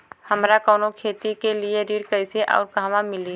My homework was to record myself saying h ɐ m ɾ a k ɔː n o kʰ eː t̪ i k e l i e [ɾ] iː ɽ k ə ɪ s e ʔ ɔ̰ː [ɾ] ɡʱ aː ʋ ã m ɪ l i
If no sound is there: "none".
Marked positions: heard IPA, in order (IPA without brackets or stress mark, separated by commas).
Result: ɾ, ɾ